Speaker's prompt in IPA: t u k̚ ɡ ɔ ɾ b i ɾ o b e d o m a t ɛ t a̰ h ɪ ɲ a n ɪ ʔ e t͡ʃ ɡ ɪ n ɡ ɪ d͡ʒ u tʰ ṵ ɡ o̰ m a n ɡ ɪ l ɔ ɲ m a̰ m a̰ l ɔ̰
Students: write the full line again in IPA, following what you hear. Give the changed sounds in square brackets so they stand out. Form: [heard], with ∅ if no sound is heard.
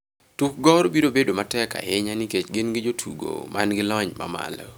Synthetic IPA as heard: t u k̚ ɡ ɔ ɾ b i ɾ o b e d o m a t ɛ [k] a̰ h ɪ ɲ a n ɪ [k] e t͡ʃ ɡ ɪ n ɡ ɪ d͡ʒ [o] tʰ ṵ ɡ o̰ m a n ɡ ɪ l ɔ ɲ m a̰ m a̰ l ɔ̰